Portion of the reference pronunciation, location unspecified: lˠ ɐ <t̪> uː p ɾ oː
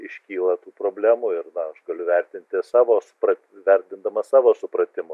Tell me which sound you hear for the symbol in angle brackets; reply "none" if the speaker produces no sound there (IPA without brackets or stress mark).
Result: t̪